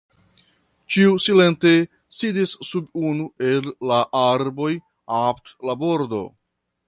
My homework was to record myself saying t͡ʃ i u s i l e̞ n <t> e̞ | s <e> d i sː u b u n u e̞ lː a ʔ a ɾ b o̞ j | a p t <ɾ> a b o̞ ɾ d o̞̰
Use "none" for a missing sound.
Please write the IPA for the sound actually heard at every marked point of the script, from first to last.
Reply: t, i, l

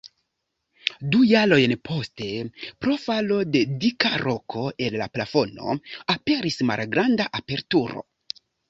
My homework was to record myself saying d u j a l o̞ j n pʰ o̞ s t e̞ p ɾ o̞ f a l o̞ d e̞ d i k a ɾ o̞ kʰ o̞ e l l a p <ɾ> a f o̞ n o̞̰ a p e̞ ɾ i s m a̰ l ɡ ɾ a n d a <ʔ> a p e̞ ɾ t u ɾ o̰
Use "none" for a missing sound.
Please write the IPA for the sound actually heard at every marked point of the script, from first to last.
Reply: l, ʔ

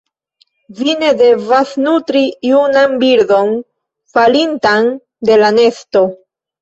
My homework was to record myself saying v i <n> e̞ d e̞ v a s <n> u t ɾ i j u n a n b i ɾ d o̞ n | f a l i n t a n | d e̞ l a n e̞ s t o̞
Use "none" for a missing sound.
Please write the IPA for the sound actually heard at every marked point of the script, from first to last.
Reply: n, n

